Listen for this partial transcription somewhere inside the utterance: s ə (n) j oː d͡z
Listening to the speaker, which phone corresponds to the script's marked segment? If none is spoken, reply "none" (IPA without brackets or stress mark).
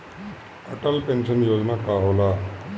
n